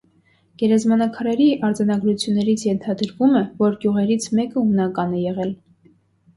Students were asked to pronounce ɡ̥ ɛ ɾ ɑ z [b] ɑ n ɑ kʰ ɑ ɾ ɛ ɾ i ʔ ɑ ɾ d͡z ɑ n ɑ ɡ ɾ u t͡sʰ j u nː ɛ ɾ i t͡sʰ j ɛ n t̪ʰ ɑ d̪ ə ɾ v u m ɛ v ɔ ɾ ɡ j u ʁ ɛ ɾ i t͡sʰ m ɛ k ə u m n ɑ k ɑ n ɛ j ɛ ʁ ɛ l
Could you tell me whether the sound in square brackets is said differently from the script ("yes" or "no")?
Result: yes